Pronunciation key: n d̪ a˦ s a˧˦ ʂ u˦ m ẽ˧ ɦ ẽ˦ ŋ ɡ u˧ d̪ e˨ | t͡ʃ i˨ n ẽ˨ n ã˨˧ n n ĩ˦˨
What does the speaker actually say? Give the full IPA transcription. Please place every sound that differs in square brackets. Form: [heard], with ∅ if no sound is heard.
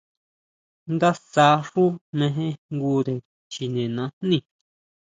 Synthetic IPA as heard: n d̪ a˦ s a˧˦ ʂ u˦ m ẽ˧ ɦ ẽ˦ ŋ ɡ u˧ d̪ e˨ | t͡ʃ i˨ n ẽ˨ n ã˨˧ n n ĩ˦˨